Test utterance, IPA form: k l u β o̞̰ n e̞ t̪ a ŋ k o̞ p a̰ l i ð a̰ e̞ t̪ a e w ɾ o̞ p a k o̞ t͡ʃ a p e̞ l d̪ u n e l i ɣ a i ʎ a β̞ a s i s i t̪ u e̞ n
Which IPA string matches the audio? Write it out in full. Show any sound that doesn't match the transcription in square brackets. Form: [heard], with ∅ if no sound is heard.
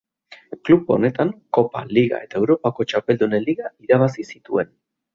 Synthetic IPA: k l u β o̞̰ n e̞ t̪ a ŋ k o̞ p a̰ l i [ɣ] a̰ e̞ t̪ a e w ɾ o̞ p a k o̞ t͡ʃ a p e̞ l d̪ u n e l i ɣ a i [ɾ] a β̞ a s i s i t̪ u e̞ n